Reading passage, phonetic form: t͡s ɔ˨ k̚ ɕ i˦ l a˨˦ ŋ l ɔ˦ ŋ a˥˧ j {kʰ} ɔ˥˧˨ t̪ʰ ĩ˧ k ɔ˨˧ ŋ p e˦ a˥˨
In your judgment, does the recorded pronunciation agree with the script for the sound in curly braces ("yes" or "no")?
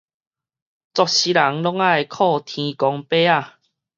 yes